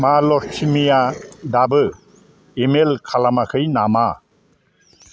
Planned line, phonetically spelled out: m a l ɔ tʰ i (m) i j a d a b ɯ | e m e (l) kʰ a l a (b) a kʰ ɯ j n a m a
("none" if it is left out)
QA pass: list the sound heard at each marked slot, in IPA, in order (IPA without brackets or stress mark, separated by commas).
m, l, m